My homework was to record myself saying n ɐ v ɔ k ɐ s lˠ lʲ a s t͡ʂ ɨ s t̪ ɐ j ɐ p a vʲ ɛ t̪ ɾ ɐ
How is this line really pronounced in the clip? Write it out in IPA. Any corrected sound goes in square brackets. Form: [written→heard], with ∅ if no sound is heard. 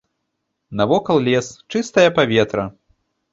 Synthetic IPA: n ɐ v ɔ k ɐ [s→∅] lˠ lʲ [a→ɛ] s t͡ʂ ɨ s t̪ ɐ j ɐ p a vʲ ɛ t̪ ɾ ɐ